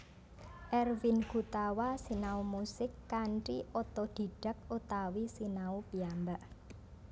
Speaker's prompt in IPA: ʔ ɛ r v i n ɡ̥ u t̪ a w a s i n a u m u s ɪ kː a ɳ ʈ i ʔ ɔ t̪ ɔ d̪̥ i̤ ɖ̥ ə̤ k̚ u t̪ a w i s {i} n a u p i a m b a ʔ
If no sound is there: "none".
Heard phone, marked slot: i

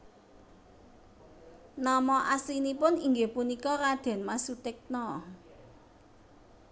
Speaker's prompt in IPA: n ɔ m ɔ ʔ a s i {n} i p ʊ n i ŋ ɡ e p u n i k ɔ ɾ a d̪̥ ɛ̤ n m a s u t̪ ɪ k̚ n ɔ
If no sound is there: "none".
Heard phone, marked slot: n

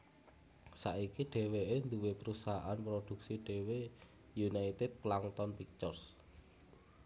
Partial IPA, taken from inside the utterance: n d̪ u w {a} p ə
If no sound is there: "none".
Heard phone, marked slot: e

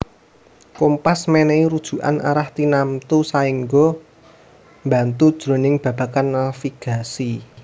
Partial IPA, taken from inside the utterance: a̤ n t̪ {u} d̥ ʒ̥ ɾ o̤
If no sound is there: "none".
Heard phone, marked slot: u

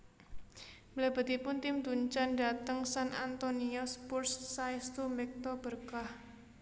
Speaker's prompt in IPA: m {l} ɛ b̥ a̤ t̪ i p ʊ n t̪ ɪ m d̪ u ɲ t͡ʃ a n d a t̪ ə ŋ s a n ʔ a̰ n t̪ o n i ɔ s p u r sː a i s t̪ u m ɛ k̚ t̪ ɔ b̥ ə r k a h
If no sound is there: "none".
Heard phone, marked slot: l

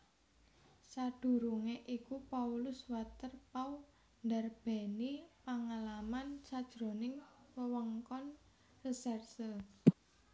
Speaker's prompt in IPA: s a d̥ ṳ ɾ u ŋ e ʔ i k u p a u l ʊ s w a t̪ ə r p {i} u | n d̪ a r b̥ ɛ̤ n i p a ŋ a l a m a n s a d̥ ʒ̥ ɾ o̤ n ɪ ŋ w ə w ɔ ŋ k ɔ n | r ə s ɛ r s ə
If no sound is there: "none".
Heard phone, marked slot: a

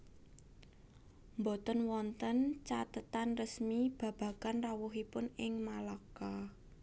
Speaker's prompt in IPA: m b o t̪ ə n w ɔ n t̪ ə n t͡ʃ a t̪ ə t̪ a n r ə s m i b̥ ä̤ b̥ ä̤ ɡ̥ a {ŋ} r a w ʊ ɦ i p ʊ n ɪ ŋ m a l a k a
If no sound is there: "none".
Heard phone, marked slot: n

